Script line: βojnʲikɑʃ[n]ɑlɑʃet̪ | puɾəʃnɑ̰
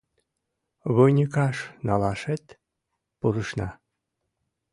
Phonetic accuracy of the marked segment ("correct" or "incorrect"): correct